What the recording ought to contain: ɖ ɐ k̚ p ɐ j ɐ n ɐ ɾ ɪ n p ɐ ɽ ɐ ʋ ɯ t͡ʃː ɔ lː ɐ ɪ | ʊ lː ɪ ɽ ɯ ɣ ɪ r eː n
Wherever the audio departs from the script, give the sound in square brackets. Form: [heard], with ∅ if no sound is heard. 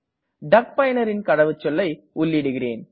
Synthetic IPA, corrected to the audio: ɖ ɐ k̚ p ɐ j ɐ n ɐ ɾ ɪ n [k] ɐ ɽ ɐ ʋ ɯ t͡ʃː ɔ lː ɐ ɪ | ʊ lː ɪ ɽ ɯ ɣ ɪ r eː n